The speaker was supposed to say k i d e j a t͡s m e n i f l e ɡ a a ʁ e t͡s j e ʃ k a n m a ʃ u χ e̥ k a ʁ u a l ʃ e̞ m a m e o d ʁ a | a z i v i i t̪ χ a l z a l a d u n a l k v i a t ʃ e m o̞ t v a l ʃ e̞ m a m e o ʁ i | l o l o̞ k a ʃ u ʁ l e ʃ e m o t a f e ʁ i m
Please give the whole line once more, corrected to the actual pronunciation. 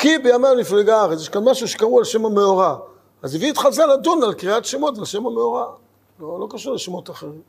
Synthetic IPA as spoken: k i b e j a m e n i f l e ɡ a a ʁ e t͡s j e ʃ k a n m a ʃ u ʃ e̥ k a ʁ u a l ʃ e̞ m a m e o ʁ a | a z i v i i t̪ χ a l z a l a d u n a l k ʁ i a t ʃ e m o̞ t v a l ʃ e̞ m a m e o ʁ a | l o l o̞ k a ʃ u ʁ l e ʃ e m o t a χ e ʁ i m